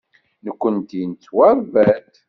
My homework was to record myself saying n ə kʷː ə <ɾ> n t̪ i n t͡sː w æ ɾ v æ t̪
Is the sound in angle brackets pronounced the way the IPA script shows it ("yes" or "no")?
no